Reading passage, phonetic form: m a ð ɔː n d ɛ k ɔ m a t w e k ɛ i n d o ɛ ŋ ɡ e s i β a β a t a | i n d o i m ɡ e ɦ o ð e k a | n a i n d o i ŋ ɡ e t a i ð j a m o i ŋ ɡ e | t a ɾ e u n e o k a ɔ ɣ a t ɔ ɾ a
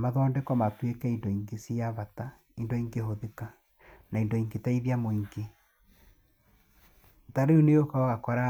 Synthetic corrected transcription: m a ð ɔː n d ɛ k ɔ m a t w e k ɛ i n d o i ŋ ɡ e s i a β a t a | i n d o i ŋ ɡ e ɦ o ð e k a | n a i n d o i ŋ ɡ e t a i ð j a m o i ŋ ɡ e | t a ɾ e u n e o k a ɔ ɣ a k ɔ ɾ a